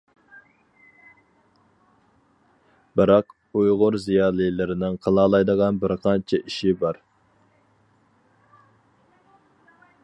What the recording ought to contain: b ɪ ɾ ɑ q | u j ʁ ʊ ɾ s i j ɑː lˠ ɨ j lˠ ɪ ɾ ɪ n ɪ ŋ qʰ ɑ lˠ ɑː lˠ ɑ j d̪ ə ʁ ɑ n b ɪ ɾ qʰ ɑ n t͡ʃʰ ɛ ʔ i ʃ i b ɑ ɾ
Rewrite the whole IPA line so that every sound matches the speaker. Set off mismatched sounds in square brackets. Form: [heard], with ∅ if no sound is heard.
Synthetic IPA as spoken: b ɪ ɾ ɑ q | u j ʁ ʊ ɾ [z] i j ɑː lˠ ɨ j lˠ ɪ ɾ ɪ n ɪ ŋ qʰ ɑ lˠ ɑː lˠ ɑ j d̪ ə ʁ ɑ n b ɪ ɾ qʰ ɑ n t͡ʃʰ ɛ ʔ i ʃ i b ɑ ɾ